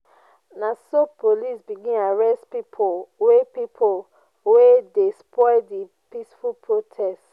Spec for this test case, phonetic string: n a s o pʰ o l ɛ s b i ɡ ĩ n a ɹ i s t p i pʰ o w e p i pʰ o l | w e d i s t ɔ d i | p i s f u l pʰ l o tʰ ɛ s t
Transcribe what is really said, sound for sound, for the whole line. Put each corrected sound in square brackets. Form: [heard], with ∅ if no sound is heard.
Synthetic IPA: n a s o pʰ o l [i] s b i ɡ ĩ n a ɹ [ɛ] s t p i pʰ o w e p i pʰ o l | w e d [e] s [p] ɔ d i | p i s f u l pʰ [ɹ] o tʰ ɛ s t